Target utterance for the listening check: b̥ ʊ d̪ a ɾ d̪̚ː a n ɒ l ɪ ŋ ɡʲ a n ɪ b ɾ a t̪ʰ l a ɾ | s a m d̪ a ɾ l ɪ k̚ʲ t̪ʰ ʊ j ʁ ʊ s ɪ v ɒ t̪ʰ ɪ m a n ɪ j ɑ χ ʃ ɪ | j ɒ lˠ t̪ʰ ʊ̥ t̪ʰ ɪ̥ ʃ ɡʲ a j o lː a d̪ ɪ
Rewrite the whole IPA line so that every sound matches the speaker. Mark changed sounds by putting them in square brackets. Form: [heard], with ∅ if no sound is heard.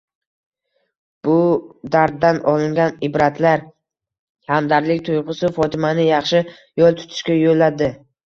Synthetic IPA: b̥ ʊ d̪ a ɾ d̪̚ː a n ɒ l ɪ ŋ ɡʲ a n ɪ b ɾ a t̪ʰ l a ɾ | [h] a m d̪ a ɾ l ɪ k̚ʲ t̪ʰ ʊ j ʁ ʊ s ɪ [f] ɒ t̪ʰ ɪ m a n ɪ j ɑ χ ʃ ɪ | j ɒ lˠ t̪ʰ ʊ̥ t̪ʰ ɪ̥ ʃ [kʲ] a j o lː a d̪ ɪ